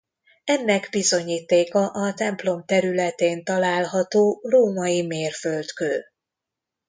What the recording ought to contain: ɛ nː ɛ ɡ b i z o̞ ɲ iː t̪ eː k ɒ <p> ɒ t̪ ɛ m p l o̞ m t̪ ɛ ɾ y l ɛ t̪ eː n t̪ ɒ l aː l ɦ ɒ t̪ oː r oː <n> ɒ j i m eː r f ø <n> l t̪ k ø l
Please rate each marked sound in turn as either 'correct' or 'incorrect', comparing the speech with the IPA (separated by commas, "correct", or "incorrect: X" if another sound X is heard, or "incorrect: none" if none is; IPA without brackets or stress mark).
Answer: incorrect: ʔ, incorrect: m, incorrect: none